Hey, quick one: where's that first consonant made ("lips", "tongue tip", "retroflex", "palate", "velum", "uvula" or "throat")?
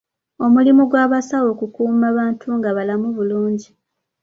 lips